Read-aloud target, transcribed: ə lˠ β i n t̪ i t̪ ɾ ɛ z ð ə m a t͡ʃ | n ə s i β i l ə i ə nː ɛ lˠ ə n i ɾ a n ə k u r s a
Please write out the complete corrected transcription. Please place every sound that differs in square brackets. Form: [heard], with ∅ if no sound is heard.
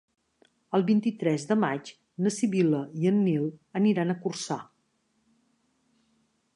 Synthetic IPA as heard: ə lˠ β i n t̪ i t̪ ɾ ɛ z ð ə m a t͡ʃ | n ə s i β i l ə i ə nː [i] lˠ ə n i ɾ a n ə k u r s a